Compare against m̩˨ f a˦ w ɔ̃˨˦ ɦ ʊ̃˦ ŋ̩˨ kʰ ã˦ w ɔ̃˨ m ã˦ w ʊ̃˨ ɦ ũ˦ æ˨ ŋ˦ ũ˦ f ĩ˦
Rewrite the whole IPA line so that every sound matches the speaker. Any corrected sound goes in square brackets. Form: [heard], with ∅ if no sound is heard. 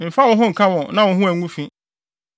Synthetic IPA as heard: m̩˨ f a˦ w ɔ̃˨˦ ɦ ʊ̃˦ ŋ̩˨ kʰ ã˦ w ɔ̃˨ [n] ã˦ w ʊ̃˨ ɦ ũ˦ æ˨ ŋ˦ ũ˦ f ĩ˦